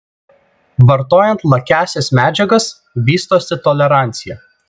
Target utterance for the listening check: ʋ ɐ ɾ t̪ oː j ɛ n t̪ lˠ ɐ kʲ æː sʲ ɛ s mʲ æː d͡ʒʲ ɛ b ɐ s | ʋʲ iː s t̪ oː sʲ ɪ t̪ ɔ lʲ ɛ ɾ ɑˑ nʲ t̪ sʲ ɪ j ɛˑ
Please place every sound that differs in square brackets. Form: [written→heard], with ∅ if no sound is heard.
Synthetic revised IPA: ʋ ɐ ɾ t̪ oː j ɛ n t̪ lˠ ɐ kʲ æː sʲ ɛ s mʲ æː d͡ʒʲ ɛ [b→ɡ] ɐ s | ʋʲ iː s t̪ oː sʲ ɪ t̪ ɔ lʲ ɛ ɾ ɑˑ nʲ t̪ sʲ ɪ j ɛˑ